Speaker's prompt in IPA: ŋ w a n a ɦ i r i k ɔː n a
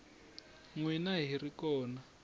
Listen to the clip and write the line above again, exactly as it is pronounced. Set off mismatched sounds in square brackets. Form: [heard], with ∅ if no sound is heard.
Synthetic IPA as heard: ŋ w [i] n a ɦ i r i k ɔː n a